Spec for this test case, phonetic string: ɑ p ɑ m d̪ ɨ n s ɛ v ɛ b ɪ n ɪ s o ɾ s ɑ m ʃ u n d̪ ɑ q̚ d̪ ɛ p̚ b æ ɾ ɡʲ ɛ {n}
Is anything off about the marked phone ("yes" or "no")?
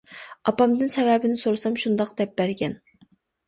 no